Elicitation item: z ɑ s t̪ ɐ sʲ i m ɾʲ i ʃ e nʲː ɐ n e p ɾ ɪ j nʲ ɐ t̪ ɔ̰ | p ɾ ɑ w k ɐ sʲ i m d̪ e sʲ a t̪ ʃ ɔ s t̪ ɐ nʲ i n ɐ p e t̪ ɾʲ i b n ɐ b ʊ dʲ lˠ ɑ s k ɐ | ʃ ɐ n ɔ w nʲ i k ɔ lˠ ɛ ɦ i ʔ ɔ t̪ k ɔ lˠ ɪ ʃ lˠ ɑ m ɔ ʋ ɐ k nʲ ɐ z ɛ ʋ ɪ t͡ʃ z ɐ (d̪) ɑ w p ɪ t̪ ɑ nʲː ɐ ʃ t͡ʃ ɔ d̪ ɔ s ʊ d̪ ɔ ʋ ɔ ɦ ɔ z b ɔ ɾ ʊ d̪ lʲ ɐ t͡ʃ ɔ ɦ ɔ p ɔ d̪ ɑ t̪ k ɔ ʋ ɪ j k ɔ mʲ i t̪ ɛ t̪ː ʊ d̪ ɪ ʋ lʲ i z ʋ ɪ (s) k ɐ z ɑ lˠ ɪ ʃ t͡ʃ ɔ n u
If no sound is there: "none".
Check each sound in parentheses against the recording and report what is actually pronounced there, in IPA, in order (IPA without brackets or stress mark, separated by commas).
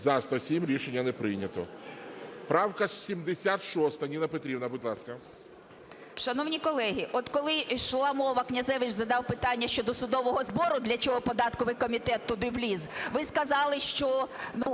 d̪, s